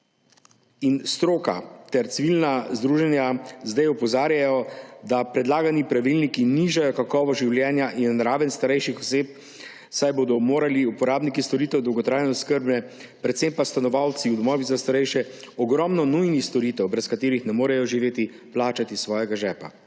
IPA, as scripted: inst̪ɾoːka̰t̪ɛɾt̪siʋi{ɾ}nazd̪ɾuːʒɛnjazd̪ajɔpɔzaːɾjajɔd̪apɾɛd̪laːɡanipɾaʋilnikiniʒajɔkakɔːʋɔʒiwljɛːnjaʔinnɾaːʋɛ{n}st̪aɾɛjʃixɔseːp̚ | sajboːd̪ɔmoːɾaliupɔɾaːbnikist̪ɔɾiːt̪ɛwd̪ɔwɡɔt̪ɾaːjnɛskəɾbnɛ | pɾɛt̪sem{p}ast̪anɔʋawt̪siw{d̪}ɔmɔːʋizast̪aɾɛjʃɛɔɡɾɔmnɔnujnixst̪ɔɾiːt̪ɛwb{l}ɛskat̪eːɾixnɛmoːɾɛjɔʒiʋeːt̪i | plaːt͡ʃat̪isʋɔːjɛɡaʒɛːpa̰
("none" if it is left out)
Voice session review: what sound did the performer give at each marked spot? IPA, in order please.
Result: l, n, p, d̪, ɾ

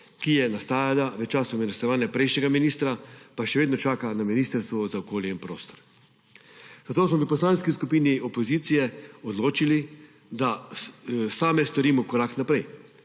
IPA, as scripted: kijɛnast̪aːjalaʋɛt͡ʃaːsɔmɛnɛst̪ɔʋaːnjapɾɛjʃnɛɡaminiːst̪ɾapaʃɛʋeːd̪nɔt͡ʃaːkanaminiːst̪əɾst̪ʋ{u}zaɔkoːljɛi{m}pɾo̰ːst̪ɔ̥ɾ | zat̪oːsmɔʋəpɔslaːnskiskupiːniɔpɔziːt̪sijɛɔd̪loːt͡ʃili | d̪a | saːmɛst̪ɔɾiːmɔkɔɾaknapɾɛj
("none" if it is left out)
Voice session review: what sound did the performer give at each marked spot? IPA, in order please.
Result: ɔ, n

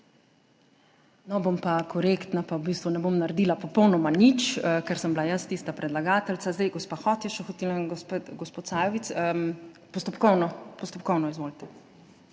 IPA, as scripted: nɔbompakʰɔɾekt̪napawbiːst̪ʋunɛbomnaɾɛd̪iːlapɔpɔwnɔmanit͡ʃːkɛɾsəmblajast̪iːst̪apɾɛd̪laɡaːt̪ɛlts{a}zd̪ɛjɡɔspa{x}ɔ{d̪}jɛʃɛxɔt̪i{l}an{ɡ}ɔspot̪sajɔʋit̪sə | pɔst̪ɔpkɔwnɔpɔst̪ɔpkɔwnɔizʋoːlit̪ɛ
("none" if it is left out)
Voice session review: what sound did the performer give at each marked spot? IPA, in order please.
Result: a, x, t̪, l, ɡ

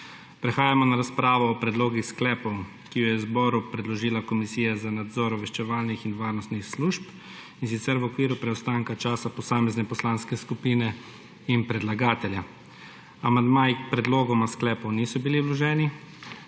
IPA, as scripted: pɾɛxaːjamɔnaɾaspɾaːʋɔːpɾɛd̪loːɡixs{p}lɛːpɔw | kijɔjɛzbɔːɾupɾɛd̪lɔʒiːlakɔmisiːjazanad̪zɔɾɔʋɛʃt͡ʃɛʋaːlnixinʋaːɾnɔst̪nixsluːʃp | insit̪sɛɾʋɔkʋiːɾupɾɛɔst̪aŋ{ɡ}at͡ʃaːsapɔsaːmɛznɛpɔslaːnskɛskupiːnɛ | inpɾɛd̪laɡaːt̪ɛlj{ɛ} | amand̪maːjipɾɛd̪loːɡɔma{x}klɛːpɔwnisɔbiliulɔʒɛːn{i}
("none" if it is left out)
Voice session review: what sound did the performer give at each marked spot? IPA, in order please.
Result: k, k, a, s, i

